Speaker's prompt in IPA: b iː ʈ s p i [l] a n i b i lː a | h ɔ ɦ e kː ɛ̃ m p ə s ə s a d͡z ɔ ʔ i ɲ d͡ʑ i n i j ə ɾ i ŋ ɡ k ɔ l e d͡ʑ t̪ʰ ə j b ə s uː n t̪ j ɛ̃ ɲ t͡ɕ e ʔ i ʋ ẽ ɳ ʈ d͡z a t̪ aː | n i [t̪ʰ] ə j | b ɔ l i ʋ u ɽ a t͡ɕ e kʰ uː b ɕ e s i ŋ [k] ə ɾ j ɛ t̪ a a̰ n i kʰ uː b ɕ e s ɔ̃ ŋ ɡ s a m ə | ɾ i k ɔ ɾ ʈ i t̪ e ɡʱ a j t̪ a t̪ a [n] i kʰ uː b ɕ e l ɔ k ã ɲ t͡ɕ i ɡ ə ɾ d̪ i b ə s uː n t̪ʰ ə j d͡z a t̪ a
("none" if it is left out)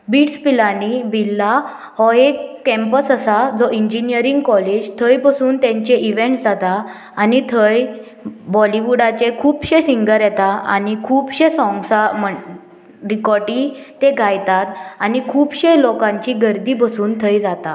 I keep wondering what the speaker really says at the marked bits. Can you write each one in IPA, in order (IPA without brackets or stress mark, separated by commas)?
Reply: l, t̪ʰ, ɡ, n